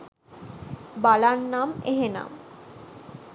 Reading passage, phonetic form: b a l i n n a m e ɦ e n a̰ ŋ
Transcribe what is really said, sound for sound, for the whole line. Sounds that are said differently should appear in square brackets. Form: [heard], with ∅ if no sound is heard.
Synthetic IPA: b a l [a] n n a m e ɦ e n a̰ [m]